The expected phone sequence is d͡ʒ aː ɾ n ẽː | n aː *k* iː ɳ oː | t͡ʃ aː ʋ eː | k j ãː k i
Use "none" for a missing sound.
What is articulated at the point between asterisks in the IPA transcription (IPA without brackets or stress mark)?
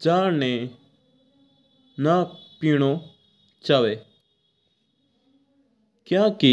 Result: p